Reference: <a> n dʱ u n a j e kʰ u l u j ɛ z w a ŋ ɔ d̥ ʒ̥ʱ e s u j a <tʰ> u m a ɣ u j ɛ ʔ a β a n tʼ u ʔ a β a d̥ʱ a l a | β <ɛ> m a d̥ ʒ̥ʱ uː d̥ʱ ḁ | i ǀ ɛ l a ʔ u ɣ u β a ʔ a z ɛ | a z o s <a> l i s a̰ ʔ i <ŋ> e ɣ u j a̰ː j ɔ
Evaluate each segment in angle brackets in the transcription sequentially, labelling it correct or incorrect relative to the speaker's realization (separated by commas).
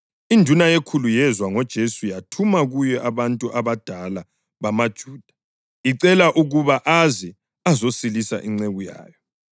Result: incorrect, correct, incorrect, incorrect, incorrect